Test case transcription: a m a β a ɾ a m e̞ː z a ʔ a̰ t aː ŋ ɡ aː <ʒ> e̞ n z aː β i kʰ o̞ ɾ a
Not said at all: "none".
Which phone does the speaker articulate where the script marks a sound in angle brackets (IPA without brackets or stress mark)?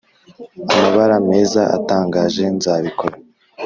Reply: ʒ